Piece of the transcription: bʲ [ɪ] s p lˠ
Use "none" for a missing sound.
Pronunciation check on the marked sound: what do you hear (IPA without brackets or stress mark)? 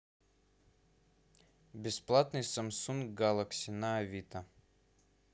ɪ